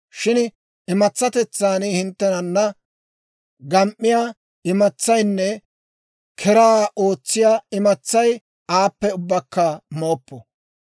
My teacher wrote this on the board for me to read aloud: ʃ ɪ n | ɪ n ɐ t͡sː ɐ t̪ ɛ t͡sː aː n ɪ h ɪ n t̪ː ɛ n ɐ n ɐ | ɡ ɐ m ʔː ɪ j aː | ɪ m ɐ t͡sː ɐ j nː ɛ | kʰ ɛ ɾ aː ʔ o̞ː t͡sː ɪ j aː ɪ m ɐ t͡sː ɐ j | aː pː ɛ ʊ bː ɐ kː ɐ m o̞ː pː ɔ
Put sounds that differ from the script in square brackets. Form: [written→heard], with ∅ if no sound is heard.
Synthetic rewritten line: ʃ ɪ n | ɪ [n→m] ɐ t͡sː ɐ t̪ ɛ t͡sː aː n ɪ h ɪ n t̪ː ɛ n ɐ [n→nː] ɐ | ɡ ɐ m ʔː ɪ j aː | ɪ m ɐ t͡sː ɐ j nː ɛ | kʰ ɛ ɾ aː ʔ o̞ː t͡sː ɪ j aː ɪ m ɐ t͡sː ɐ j | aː pː ɛ ʊ bː ɐ kː ɐ m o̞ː pː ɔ

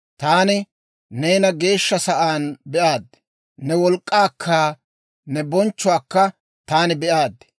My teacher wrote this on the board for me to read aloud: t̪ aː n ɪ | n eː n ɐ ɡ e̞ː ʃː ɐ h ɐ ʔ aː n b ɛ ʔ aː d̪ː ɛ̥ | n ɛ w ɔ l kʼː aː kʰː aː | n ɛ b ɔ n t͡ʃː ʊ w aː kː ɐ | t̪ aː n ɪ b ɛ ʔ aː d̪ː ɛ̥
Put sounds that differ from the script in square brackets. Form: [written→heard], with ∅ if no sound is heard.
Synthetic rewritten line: t̪ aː n ɪ | n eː n ɐ ɡ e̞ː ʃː ɐ [h→s] ɐ ʔ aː n b ɛ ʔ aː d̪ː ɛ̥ | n ɛ w ɔ l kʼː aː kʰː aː | n ɛ b ɔ n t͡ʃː ʊ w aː kː ɐ | t̪ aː n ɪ b ɛ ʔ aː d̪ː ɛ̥

